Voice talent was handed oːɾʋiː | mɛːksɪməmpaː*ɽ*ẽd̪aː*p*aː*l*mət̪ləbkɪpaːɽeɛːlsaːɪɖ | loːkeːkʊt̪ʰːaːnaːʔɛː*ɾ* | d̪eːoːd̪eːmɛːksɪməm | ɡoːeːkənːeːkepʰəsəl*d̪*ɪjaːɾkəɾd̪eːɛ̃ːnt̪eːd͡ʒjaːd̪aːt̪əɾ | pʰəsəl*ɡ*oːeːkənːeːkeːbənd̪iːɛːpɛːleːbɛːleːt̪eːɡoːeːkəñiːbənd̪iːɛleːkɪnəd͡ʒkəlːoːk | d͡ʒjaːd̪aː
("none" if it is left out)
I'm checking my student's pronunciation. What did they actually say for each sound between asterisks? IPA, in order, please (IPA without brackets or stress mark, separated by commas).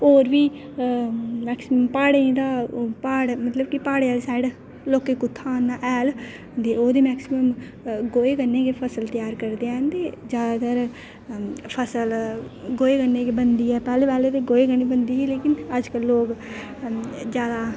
ɽ, p, ɽ, l, t̪, ɡ